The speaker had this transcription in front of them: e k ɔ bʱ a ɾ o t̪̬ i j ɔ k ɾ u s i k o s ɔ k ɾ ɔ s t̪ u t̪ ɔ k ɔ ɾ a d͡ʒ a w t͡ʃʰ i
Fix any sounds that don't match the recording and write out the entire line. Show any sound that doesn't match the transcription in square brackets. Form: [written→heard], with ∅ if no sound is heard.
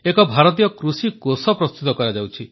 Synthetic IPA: e k ɔ bʱ a ɾ [o→ɔ] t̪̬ i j ɔ k ɾ u s i k o s ɔ [k→p] ɾ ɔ s t̪ u t̪ ɔ k ɔ ɾ a d͡ʒ a w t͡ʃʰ i